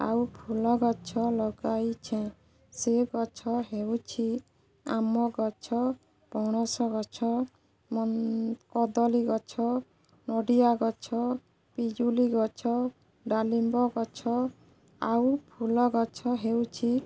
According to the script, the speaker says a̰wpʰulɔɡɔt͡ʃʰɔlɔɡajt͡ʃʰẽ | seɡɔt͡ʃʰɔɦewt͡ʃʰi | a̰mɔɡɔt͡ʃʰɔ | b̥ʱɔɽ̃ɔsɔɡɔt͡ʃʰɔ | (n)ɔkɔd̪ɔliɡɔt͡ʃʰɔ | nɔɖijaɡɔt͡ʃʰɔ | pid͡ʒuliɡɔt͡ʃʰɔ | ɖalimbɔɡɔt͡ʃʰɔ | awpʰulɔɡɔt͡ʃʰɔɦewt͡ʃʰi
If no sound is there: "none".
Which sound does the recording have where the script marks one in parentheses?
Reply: m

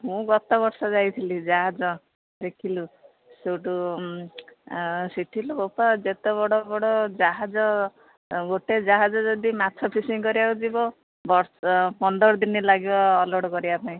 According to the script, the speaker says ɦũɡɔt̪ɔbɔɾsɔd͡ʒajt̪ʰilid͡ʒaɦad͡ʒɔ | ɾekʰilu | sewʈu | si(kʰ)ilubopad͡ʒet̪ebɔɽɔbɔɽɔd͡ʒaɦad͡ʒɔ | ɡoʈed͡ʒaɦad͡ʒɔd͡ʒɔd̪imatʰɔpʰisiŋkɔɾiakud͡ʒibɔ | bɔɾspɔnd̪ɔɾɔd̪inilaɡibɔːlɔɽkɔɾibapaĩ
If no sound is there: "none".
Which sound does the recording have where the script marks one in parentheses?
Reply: ʈʰ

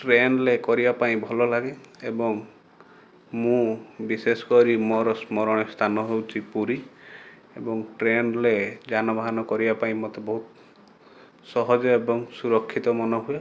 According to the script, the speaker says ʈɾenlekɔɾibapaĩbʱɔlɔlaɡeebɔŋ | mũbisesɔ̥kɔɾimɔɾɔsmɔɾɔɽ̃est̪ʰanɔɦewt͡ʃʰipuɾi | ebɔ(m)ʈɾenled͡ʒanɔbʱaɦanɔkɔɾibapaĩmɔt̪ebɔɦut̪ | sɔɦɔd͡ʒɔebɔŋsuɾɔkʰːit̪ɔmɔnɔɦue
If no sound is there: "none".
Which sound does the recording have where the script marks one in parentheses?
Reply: ŋ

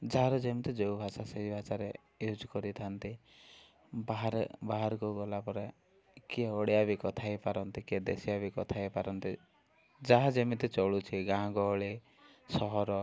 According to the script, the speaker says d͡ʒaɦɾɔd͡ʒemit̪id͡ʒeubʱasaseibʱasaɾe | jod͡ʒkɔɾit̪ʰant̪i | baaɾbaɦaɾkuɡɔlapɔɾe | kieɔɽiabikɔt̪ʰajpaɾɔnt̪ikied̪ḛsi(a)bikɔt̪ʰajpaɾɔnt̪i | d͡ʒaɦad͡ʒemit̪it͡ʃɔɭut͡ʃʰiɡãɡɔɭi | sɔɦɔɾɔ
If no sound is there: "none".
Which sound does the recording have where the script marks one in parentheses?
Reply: a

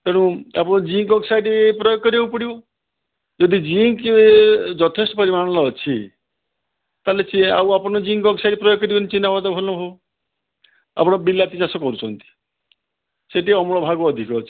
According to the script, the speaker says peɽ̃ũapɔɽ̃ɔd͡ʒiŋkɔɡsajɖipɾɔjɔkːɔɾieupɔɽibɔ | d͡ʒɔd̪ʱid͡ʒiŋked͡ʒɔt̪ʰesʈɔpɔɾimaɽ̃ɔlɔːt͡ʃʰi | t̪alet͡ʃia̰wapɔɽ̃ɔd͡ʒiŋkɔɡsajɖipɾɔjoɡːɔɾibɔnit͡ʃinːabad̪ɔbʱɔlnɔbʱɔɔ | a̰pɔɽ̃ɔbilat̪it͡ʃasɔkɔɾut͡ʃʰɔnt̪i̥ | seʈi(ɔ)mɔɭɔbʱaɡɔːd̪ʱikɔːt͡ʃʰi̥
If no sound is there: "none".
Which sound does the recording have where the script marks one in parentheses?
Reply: ɔ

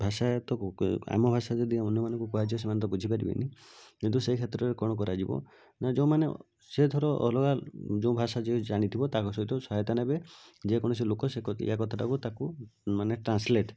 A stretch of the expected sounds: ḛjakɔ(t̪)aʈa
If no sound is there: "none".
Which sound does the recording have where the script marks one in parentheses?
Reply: t̪ʰ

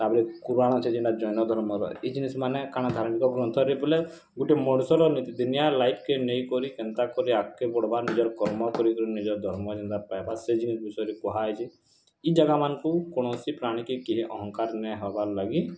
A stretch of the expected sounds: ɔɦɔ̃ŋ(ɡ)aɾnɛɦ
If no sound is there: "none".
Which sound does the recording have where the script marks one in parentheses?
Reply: k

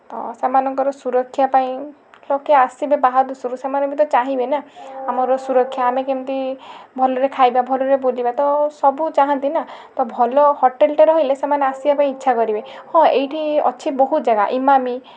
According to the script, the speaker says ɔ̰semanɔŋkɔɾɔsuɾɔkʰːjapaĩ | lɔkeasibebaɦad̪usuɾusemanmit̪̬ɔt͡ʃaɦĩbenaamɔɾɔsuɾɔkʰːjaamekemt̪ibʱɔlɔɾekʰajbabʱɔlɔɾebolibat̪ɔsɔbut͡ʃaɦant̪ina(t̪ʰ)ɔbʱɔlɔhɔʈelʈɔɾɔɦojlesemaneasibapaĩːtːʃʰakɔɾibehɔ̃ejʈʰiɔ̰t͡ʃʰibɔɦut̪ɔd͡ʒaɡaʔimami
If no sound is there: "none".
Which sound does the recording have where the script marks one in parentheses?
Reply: t̪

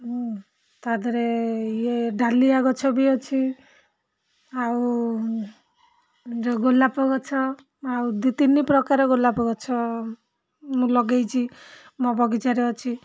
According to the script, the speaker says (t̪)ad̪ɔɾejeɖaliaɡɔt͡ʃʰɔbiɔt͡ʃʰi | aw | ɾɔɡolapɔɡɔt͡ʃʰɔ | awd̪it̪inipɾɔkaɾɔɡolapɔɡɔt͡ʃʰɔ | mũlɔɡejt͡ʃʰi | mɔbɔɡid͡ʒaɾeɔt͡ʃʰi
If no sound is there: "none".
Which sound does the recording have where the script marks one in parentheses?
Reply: t̪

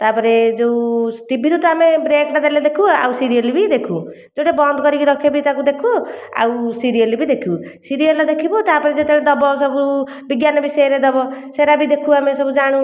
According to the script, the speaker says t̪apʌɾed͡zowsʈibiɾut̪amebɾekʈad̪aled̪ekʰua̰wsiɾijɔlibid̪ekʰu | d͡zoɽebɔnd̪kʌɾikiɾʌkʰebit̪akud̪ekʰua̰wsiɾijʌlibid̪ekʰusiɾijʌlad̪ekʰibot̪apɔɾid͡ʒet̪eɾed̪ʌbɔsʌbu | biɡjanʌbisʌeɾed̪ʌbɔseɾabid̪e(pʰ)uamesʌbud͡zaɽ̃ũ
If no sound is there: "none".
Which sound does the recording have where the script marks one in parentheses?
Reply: kʰ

